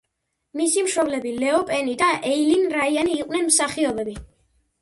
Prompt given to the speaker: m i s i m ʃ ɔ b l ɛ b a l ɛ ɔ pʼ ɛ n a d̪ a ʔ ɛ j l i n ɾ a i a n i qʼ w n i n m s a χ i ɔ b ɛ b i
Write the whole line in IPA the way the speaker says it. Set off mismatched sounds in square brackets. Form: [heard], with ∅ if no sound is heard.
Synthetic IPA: m i s i m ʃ ɔ b l ɛ b [i] l ɛ ɔ pʼ ɛ n [i] d̪ a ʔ ɛ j l i n ɾ a i a n [iː] qʼ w n [ɛ] n m s a χ i ɔ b ɛ b i